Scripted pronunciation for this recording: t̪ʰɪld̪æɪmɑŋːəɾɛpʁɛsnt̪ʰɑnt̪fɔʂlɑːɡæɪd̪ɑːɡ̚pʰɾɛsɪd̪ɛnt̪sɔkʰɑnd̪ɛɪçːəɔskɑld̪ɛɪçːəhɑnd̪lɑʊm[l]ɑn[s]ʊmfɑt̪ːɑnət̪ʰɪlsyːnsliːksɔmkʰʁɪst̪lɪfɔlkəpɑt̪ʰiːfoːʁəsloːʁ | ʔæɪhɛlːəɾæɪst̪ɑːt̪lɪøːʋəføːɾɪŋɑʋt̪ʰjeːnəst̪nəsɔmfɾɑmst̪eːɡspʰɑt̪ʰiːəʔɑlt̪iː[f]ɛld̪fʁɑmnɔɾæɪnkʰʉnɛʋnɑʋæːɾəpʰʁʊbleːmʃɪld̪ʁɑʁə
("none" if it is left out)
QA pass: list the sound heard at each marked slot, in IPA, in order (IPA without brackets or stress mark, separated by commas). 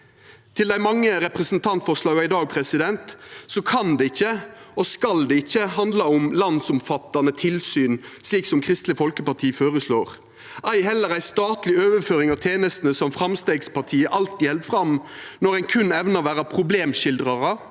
l, s, h